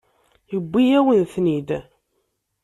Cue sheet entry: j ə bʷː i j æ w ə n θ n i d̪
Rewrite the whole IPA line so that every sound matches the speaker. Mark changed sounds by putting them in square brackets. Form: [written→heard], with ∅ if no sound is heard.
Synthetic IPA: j ə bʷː i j æ w ə n θ n i d̪